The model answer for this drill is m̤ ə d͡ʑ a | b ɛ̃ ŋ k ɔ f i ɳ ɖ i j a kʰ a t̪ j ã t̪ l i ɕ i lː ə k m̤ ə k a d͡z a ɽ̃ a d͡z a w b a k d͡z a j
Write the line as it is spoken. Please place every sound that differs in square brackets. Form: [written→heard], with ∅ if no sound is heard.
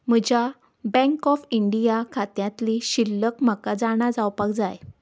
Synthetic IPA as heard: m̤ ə d͡ʑ a | b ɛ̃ ŋ k ɔ f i ɳ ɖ i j a kʰ a t̪ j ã t̪ l i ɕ i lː ə k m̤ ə k a d͡z a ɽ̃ a d͡z a w [b→p] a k d͡z a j

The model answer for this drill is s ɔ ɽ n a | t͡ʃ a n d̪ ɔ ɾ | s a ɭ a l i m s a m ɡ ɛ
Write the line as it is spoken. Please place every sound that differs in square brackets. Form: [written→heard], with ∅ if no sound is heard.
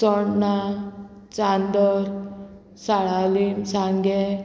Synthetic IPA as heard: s ɔ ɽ n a | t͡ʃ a n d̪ ɔ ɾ | s a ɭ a l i m s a [m→ŋ] ɡ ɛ

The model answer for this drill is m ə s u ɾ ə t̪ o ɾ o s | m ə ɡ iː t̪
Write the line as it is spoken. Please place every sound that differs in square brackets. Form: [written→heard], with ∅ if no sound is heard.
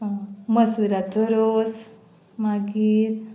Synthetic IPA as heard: m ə s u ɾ [ə→a] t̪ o ɾ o s | m [ə→a] ɡ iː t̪

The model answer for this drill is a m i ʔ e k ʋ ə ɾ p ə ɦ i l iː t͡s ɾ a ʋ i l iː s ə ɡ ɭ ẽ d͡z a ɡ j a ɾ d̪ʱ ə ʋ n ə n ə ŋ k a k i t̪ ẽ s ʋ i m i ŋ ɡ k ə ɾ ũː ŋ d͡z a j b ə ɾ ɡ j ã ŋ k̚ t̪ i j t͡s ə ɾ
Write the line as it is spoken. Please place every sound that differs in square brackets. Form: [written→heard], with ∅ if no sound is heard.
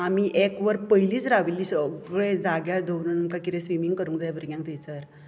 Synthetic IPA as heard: a m i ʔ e k ʋ ə ɾ p ə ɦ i l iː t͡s ɾ a ʋ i l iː s ə ɡ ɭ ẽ d͡z a ɡ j a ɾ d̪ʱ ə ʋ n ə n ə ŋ k a k i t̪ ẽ s ʋ i m i ŋ ɡ k ə ɾ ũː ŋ d͡z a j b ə ɾ ɡ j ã ŋ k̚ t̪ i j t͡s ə ɾ

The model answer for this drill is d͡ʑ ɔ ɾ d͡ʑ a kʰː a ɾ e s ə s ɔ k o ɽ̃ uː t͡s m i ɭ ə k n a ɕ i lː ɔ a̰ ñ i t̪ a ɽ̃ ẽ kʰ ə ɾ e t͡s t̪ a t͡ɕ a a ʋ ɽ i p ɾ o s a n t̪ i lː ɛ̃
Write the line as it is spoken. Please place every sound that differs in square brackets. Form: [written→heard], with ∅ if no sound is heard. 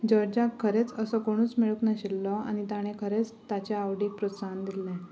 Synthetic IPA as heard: d͡ʑ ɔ ɾ d͡ʑ a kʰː [a→ə] ɾ e [s→t͡s] ə s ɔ k o ɽ̃ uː t͡s m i ɭ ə k n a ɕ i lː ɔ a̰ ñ i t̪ a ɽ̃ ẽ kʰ ə ɾ e t͡s t̪ a t͡ɕ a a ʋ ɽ i p ɾ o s a n [t̪→d̪] i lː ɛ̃

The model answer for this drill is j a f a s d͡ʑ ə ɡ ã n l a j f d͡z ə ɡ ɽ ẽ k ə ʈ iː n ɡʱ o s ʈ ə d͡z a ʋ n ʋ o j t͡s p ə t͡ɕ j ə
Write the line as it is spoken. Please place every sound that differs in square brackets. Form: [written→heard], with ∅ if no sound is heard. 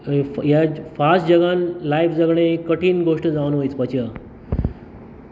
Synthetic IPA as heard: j a f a s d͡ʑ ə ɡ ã n l a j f d͡z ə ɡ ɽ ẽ k ə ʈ iː n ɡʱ o [s→ʂ] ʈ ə d͡z a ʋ n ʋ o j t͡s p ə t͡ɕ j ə

